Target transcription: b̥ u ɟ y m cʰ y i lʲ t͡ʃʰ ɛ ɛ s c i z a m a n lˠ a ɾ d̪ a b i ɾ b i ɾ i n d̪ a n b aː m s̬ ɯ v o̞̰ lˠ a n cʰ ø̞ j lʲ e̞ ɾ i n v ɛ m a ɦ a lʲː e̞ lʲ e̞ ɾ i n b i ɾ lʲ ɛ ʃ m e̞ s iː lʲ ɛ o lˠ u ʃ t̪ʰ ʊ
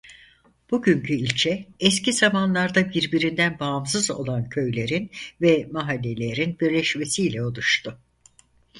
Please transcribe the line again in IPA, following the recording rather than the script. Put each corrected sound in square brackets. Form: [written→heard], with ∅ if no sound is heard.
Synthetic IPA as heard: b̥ u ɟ y [m→ɲ] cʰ y i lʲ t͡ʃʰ ɛ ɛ s c i z a m a n lˠ a ɾ d̪ a b i ɾ b i ɾ i n d̪ [a→æ] n b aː m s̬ ɯ [v→z] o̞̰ lˠ a n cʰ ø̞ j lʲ e̞ ɾ i n v ɛ m a ɦ a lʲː e̞ lʲ e̞ ɾ i n b i ɾ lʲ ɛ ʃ m e̞ s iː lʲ ɛ o lˠ u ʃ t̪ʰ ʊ